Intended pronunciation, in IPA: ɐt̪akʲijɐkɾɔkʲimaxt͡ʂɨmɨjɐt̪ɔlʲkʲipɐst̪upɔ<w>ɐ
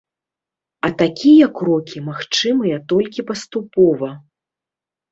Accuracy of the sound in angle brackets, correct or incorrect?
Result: incorrect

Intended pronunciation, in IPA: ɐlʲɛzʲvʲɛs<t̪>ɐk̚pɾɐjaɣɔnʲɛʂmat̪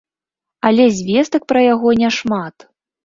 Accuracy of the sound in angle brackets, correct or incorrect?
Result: correct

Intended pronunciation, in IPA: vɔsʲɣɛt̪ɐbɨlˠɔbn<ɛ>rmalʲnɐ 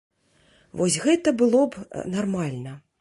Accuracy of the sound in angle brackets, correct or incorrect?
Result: incorrect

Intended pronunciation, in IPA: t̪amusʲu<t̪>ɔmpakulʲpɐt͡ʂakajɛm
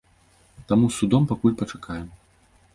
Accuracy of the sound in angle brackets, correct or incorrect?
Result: incorrect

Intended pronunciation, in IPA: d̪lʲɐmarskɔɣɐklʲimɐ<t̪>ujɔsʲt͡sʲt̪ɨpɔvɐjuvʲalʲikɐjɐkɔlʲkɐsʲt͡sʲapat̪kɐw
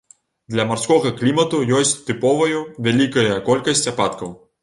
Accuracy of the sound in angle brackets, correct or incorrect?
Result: correct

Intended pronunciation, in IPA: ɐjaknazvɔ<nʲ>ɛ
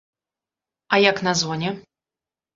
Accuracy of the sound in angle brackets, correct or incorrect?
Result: correct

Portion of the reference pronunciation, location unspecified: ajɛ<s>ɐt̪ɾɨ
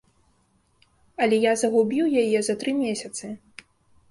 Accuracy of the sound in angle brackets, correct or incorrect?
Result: incorrect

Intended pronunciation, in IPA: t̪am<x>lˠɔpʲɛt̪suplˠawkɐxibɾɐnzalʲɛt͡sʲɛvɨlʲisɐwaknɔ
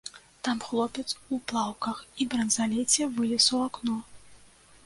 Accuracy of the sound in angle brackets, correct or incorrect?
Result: correct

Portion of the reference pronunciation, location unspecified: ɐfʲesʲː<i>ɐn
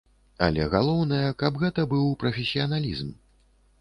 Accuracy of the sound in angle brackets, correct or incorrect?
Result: correct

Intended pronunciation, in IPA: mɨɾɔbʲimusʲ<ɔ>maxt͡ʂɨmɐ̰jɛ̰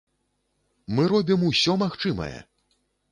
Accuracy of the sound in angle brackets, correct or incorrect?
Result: correct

